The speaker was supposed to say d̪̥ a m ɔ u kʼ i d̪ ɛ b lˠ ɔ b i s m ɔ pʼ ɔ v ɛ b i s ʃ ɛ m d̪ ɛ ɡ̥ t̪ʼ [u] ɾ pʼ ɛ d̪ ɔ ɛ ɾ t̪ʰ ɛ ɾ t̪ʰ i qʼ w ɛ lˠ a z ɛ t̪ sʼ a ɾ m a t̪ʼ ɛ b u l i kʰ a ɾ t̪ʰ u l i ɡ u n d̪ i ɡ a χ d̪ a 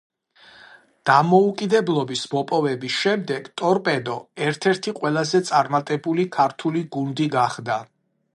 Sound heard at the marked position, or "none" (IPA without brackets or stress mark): ɔ